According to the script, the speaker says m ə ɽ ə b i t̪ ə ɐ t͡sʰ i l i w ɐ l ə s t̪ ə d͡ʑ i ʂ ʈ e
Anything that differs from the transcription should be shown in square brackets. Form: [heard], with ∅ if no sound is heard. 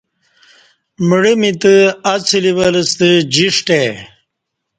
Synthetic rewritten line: m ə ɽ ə [m] i t̪ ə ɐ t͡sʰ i l i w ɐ l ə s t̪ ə d͡ʑ i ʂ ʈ e